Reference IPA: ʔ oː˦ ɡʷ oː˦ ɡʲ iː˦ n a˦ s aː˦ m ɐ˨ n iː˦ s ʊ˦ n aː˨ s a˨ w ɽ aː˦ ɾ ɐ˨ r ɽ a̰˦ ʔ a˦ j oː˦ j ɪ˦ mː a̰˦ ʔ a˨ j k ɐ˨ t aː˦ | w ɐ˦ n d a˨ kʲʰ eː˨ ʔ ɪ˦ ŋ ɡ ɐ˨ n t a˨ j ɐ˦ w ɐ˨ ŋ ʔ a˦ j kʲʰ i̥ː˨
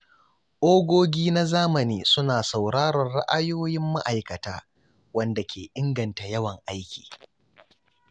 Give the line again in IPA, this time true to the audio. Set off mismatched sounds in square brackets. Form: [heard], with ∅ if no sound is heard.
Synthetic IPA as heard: ʔ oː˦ ɡʷ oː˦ ɡʲ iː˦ n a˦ [z] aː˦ m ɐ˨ n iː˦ s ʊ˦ n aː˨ s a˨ w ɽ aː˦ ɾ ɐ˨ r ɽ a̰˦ ʔ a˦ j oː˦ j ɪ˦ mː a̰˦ ʔ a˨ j k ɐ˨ t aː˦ | w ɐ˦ n d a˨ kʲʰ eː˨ ʔ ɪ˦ ŋ ɡ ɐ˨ n t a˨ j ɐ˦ w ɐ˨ ŋ ʔ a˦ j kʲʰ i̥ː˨